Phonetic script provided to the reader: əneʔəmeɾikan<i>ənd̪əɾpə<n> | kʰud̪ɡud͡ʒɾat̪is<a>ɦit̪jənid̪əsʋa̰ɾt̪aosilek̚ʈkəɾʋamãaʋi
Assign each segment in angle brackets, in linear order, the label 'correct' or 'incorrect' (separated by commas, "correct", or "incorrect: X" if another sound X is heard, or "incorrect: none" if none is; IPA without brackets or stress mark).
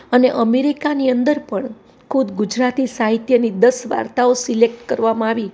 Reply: correct, incorrect: ɳ, correct